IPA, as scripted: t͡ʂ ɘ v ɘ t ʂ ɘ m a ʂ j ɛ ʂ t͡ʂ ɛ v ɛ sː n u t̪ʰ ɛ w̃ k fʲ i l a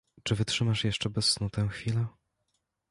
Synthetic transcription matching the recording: t͡ʂ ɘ v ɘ t ʂ ɘ m a ʂ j ɛ ʂ t͡ʂ ɛ b ɛ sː n u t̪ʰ ɛ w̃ x fʲ i l ɛ

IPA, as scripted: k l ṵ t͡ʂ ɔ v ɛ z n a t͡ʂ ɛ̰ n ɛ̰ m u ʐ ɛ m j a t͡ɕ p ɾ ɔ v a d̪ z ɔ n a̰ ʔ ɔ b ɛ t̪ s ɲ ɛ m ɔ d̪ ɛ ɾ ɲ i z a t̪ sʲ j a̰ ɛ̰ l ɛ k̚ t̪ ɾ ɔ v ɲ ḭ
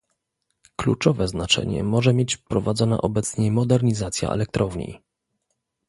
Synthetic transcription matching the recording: k l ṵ t͡ʂ ɔ v ɛ z n a t͡ʂ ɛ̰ ɲ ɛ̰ m ɔ ʐ ɛ m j e t͡ɕ p ɾ ɔ v a d̪ z ɔ n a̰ ʔ ɔ b ɛ t̪ s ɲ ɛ m ɔ d̪ ɛ ɾ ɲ i z a t̪ sʲ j a̰ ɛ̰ l ɛ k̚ t̪ ɾ ɔ v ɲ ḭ

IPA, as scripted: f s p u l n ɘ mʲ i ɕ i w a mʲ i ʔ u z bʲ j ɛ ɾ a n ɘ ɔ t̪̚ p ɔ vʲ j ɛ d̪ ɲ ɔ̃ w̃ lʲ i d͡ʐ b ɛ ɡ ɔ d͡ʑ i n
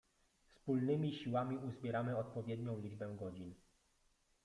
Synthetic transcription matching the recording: f s p u l n ɘ mʲ i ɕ i w a mʲ i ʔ u z bʲ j ɛ ɾ a m ɘ ɔ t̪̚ p ɔ vʲ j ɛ d̪ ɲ ɔ̃ w̃ lʲ i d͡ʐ b ɛ ɡ ɔ d͡ʑ i n

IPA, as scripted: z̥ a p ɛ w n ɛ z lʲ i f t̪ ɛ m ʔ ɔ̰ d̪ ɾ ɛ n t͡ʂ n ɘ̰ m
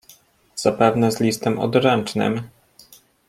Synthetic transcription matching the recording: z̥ a p ɛ v n ɛ z lʲ i s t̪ ɛ m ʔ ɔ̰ d̪ ɾ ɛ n t͡ʂ n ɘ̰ m

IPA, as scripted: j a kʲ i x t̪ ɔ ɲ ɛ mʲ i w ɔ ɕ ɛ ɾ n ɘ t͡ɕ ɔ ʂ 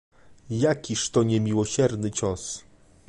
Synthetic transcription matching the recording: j a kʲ i ʂ t̪ ɔ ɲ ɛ mʲ i w ɔ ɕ ɛ ɾ n ɘ t͡ɕ ɔ s

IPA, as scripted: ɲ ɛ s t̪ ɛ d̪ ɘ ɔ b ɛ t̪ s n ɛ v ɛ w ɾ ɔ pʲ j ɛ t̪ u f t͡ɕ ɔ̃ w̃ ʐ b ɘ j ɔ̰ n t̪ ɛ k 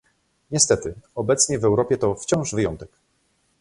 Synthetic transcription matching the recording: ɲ ɛ s t̪ ɛ t̪ ɘ ɔ b ɛ t̪ s ɲ ɛ v ɛ w ɾ ɔ pʲ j ɛ t̪ ɔ f t͡ɕ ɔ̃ w̃ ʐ v ɘ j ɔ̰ n t̪ ɛ k

